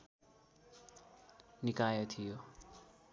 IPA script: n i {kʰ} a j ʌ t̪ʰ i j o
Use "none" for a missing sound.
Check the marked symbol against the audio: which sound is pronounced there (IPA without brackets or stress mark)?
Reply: k